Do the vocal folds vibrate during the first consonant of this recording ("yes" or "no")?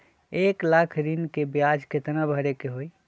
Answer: no